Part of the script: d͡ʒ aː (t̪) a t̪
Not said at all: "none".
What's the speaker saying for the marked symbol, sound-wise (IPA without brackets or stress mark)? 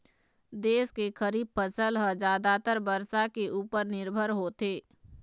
d̪